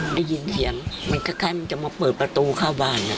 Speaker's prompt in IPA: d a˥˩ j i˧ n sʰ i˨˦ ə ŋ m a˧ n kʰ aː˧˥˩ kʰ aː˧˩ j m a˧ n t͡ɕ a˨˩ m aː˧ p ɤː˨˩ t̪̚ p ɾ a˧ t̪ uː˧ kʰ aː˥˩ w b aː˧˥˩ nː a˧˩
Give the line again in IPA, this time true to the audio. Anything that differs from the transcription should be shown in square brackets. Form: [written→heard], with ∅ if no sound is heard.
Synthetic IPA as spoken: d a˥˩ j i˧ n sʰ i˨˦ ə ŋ m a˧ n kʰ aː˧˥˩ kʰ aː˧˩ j m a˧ n t͡ɕ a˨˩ m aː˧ p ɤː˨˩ t̪̚ p ɾ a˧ t̪ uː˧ kʰ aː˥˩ w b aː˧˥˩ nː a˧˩